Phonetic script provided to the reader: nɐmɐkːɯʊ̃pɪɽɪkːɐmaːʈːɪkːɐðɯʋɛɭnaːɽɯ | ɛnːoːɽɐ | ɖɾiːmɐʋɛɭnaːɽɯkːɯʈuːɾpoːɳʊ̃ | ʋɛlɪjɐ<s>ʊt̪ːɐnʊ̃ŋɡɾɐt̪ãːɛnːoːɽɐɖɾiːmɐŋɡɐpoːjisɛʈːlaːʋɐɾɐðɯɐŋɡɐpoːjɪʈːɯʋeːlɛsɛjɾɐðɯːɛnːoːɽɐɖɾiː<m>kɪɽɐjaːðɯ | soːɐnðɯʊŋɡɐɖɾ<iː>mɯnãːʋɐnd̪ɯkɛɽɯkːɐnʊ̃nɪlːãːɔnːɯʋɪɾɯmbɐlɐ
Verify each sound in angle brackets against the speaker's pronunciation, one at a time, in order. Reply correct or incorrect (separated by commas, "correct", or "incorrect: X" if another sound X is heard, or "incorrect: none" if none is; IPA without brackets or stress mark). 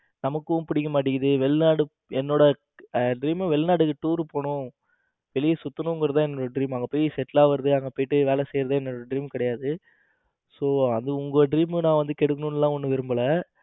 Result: correct, correct, correct